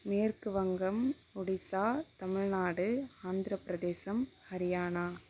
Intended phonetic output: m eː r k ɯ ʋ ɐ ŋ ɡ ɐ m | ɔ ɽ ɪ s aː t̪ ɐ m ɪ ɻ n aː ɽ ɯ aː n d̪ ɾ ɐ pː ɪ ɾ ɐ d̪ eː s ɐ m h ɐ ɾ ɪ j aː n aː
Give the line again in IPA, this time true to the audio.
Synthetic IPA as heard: m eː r k ɯ ʋ ɐ ŋ ɡ ɐ m | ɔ ɽ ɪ s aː t̪ ɐ m ɪ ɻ n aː ɽ ɯ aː n d̪ ɾ ɐ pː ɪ ɾ ɐ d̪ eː s ɐ m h ɐ ɾ ɪ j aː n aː

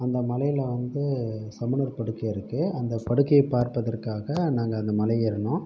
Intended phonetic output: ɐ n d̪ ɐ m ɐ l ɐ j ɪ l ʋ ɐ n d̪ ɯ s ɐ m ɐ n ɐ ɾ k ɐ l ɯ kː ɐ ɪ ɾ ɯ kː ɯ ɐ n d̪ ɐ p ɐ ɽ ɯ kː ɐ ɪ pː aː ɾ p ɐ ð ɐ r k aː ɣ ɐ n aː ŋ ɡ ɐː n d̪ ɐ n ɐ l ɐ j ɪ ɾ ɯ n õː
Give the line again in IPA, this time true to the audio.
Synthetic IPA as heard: ɐ n d̪ ɐ m ɐ l ɐ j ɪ l ʋ ɐ n d̪ ɯ s ɐ m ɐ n ɐ ɾ p ɐ ɽ ɯ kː ɐ ɪ ɾ ɯ kː ɯ ɐ n d̪ ɐ p ɐ ɽ ɯ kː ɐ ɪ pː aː ɾ p ɐ ð ɐ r k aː ɣ ɐ n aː ŋ ɡ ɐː n d̪ ɐ m ɐ l ɐ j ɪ ɾ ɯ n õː

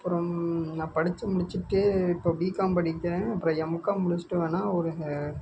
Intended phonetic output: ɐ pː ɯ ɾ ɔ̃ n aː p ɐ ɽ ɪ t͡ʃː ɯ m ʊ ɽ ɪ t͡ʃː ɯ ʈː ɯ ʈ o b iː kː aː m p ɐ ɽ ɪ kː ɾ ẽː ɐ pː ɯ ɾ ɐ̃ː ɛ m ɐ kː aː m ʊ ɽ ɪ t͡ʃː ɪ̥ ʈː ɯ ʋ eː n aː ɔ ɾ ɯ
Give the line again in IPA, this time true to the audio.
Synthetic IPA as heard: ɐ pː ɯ ɾ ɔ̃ n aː p ɐ ɽ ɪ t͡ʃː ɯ m ʊ ɽ ɪ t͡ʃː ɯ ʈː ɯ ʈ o b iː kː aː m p ɐ ɽ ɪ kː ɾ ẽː ɐ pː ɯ ɾ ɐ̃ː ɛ m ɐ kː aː m ʊ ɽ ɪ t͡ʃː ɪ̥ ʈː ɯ ʋ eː n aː ɔ ɾ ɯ

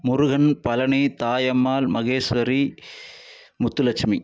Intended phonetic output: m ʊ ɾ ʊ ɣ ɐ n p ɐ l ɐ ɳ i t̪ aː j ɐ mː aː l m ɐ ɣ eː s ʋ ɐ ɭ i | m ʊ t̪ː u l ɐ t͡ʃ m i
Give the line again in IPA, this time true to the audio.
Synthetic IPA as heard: m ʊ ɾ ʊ ɣ ɐ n p ɐ l ɐ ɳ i t̪ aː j ɐ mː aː l m ɐ ɣ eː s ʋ ɐ ɾ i | m ʊ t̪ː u l ɐ t͡ʃ m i

